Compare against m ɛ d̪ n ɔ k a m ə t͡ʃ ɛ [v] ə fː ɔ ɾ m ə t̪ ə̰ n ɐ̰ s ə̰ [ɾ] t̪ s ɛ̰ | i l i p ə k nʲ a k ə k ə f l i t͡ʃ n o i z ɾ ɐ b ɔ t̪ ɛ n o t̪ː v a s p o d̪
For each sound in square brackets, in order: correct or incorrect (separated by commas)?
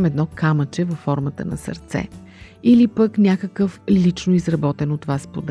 correct, correct